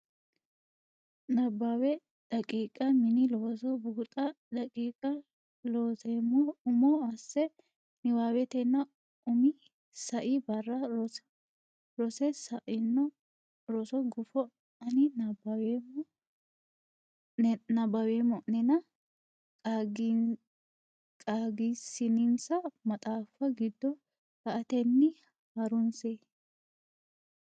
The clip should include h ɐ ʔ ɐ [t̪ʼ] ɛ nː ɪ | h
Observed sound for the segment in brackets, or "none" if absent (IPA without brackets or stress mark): t̪